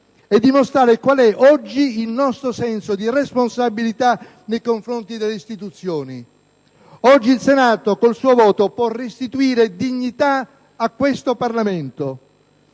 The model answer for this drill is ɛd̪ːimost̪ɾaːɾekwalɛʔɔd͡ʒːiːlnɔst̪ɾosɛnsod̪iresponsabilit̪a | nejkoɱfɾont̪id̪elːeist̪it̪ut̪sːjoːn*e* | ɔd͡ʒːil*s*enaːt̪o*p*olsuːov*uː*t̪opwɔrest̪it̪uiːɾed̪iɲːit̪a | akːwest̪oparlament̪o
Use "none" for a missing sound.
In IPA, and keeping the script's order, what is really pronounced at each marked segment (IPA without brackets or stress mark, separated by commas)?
i, s, k, ɔː